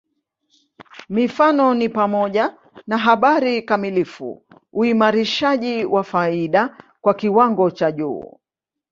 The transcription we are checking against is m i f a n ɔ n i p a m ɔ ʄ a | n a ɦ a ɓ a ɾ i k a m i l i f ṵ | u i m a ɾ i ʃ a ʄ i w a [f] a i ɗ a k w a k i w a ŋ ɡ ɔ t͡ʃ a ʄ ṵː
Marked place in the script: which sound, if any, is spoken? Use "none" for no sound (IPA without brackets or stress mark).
f